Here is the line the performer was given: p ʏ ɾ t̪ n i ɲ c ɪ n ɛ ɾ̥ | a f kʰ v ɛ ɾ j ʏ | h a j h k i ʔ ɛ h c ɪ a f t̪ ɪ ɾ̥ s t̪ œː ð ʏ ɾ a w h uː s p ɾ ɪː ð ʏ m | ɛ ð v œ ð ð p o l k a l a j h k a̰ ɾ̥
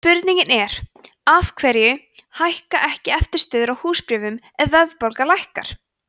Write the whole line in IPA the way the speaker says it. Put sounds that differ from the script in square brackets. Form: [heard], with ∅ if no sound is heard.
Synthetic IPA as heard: p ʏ ɾ t̪ n i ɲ c ɪ n ɛ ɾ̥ | a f kʰ v ɛ ɾ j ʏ | h a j h k [a] ʔ ɛ h c ɪ [ɛ] f t̪ ɪ ɾ̥ s t̪ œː ð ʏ ɾ a w h uː s p ɾ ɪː [v] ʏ m | ɛ ð v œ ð ð p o l k a l a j h k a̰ ɾ̥